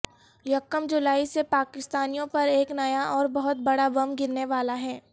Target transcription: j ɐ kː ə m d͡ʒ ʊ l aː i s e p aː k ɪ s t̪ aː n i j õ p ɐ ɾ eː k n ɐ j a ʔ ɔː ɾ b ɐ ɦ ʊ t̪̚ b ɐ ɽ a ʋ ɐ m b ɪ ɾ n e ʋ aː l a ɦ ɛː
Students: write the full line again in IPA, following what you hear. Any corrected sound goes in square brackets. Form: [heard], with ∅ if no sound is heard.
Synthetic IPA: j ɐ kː ə m d͡ʒ ʊ l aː i s e p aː k ɪ s t̪ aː n i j õ p ɐ ɾ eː k n ɐ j a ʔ ɔː ɾ b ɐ ɦ ʊ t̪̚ b ɐ ɽ a ʋ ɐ m [ɡ] ɪ ɾ n e ʋ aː l a ɦ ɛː